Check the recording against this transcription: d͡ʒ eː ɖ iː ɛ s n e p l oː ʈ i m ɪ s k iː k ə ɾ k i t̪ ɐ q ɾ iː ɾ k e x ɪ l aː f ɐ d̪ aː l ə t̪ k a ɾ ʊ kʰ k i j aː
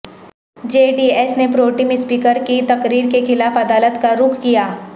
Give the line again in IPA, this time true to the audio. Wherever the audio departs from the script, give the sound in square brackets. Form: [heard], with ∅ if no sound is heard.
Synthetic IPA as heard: d͡ʒ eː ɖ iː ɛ s n e p [ɾ] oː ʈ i m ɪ s [p] iː k ə ɾ k i t̪ ɐ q ɾ iː ɾ k e x ɪ l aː f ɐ d̪ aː l ə t̪ k a ɾ ʊ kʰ k i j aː